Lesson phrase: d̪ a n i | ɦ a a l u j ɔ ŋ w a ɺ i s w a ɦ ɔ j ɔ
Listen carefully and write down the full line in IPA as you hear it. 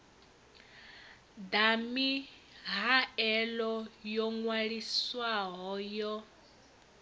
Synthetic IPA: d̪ a m i | ɦ a ɛ l ɔ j ɔ ŋ w a ɺ i s w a ɦ ɔ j ɔ